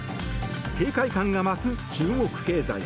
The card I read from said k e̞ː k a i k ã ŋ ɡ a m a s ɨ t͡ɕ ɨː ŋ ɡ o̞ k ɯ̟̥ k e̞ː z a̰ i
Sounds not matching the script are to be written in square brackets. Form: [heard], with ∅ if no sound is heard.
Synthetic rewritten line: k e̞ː k a i k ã ŋ ɡ a m a s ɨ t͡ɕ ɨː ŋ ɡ o̞ k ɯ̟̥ k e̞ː z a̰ i